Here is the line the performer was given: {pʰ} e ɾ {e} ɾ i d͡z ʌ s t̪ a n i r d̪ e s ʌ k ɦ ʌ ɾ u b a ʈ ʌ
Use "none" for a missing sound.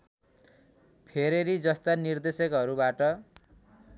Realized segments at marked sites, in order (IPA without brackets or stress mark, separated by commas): pʰ, e